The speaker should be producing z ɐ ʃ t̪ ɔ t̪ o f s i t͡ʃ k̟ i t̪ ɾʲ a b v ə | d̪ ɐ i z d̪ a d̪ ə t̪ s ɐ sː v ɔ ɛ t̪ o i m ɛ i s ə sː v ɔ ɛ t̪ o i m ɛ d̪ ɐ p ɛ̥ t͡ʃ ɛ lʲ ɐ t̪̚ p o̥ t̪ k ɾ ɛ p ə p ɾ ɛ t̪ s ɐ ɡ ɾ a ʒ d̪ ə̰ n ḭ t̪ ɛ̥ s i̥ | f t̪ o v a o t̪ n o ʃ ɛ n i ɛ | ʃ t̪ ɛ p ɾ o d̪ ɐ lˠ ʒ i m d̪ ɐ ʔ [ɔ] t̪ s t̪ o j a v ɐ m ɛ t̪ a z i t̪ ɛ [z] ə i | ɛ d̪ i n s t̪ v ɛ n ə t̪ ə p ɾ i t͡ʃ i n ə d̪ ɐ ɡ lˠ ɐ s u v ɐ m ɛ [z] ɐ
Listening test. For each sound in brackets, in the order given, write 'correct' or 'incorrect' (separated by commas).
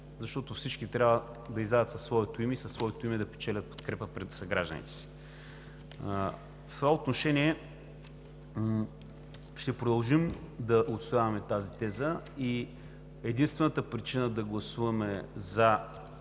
incorrect, correct, correct